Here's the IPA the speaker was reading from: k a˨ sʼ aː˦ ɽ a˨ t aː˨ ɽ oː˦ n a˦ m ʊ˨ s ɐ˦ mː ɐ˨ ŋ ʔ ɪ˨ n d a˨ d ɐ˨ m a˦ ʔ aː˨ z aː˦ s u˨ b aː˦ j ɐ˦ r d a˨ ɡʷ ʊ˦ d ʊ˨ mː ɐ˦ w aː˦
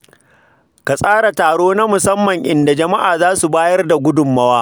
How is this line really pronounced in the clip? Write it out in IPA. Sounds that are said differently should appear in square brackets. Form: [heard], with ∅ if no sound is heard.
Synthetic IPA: k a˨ sʼ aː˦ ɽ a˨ t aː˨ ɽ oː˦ n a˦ m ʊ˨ s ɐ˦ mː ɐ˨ ŋ ʔ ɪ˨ n d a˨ [d͡ʒ] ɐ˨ m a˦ ʔ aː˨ z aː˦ s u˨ b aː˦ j ɐ˦ r d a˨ ɡʷ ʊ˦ d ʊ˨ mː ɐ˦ w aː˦

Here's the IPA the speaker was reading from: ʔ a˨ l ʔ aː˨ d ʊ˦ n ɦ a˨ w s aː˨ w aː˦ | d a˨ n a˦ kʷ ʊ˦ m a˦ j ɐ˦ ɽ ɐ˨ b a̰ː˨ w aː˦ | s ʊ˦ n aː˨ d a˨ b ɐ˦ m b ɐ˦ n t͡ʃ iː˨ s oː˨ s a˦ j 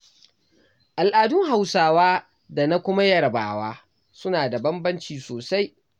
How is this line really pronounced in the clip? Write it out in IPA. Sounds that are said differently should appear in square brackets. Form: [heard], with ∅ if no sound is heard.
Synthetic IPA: ʔ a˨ l ʔ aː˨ d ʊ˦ [ŋ] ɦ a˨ w s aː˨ w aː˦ | d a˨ n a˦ kʷ ʊ˦ m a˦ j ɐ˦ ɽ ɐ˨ b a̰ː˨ w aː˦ | s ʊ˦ n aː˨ d a˨ b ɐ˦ m b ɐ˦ n t͡ʃ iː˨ s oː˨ s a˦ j

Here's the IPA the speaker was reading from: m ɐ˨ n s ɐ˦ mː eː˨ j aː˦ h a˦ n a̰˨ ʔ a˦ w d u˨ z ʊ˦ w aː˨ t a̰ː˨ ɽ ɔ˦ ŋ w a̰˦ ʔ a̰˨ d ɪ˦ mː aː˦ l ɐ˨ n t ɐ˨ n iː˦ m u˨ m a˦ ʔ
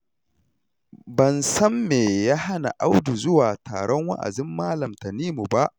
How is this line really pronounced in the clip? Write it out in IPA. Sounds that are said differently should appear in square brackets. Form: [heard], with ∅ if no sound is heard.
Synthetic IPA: [b] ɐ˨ n s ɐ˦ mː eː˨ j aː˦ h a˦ n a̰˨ ʔ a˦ w d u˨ z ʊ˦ w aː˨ t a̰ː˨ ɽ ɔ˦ ŋ w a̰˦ ʔ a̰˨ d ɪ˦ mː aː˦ l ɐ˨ [m] t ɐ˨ n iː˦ m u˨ [b] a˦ ʔ

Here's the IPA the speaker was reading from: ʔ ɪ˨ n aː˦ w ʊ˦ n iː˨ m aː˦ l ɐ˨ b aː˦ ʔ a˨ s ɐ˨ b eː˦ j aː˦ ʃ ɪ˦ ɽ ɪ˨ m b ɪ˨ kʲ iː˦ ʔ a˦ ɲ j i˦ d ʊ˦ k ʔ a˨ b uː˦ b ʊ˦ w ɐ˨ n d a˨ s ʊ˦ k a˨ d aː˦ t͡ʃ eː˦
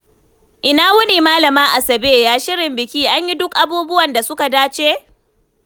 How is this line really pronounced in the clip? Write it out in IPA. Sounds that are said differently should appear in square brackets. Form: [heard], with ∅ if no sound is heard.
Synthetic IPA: ʔ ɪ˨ n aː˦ w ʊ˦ n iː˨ m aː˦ l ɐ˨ [m] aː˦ ʔ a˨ s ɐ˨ b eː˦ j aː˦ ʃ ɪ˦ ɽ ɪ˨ m b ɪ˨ kʲ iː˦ ʔ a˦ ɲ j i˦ d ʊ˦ k ʔ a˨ b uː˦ b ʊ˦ w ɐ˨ n d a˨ s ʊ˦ k a˨ d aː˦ t͡ʃ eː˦

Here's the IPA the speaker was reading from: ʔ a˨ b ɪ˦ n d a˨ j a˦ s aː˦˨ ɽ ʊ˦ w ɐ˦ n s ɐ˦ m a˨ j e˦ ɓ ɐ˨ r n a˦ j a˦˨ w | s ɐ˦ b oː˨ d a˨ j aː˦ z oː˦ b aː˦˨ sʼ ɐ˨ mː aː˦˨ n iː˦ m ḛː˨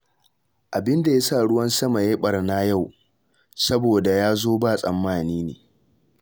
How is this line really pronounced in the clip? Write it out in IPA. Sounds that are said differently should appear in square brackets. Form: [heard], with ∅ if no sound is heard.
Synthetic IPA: ʔ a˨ b ɪ˦ n d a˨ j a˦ s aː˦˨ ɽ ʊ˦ w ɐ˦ n s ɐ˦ m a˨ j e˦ ɓ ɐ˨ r n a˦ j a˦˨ w | s ɐ˦ b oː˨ d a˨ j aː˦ z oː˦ b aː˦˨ sʼ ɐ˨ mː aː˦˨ n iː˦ [n] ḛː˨

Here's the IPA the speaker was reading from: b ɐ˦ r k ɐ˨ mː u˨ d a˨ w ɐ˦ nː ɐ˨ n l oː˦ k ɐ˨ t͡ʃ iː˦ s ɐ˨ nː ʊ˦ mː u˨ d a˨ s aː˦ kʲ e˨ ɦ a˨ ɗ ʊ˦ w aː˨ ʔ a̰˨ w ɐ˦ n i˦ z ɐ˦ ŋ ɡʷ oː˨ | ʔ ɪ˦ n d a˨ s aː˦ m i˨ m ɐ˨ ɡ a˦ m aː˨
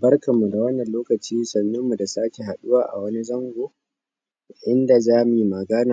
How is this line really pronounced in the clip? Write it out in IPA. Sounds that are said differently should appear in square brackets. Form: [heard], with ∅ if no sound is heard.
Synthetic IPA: b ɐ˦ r k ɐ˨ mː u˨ d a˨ w ɐ˦ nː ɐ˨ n l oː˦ k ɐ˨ t͡ʃ iː˦ s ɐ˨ nː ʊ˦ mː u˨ d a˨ s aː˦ kʲ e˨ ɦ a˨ ɗ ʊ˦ w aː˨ ʔ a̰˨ w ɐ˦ n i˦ z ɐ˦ ŋ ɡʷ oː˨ | ʔ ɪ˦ n d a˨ [z] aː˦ m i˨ m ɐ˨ ɡ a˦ [n] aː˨

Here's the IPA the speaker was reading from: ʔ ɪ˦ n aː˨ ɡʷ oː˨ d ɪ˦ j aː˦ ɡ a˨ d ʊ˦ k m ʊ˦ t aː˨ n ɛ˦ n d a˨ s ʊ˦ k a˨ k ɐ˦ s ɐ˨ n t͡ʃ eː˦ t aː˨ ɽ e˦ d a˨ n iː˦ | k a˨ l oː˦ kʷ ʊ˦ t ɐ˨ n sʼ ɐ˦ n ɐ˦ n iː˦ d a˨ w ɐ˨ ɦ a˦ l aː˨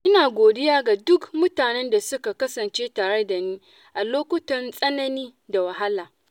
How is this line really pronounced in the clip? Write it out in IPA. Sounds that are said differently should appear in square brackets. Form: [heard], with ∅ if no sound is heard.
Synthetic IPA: ʔ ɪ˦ n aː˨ ɡʷ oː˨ d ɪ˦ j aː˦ ɡ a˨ d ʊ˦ k m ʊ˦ t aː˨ n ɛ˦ n d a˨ s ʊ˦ k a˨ k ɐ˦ s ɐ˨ n t͡ʃ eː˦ t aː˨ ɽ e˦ d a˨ n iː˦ | [ʔ] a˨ l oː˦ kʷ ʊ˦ t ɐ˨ n sʼ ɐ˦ n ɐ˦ n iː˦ d a˨ w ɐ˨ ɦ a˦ l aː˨

